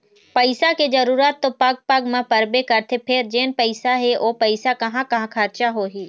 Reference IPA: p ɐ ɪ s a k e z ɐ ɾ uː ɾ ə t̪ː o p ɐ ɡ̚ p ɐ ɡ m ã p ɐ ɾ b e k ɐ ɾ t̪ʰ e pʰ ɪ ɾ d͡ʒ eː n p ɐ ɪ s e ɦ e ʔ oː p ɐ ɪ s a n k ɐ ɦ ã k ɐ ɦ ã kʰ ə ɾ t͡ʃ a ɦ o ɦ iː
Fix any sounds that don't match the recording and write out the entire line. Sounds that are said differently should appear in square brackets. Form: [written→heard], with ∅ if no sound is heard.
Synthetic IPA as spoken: p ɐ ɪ s a k e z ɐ ɾ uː ɾ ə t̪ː o p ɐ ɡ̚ p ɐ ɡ m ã p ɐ ɾ b e k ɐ ɾ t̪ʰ e pʰ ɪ ɾ d͡ʒ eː n p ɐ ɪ s [e→a] ɦ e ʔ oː p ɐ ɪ s a [n→∅] k ɐ ɦ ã k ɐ ɦ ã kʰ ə ɾ t͡ʃ a ɦ o ɦ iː